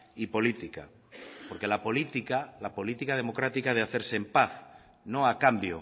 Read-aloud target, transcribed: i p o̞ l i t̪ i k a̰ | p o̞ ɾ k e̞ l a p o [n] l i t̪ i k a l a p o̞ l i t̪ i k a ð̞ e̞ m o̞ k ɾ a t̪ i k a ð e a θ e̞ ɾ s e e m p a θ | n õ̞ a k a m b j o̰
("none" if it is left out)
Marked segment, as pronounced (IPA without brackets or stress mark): none